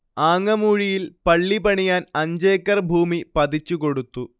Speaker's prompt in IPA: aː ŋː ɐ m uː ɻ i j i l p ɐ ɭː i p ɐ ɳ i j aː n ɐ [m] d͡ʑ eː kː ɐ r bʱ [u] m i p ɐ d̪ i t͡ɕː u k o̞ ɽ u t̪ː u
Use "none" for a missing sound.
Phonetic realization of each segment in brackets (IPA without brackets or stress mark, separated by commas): ɲ, uː